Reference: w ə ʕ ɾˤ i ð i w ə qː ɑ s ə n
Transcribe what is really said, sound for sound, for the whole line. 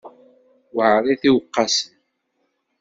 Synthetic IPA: w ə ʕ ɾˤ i θ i w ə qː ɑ s ə n